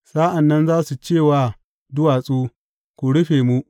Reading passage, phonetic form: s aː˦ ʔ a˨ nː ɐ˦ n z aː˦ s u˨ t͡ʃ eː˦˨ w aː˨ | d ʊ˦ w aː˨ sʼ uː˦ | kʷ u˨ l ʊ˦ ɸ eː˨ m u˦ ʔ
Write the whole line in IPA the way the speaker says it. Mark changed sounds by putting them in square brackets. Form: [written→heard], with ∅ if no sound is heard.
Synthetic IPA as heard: s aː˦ ʔ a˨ nː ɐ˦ n z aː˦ s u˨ t͡ʃ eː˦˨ w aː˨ | d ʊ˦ w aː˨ sʼ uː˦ | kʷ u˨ [l→ɽ] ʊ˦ ɸ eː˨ m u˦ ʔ